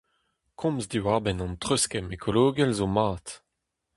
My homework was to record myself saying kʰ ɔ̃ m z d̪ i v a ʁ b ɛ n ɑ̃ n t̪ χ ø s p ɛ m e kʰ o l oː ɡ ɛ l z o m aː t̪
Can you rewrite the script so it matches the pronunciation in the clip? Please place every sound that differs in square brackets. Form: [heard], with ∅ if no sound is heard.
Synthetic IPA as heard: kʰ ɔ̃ m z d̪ i [w] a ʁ b ɛ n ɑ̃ n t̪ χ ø s [k] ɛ m e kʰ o l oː ɡ ɛ l z o m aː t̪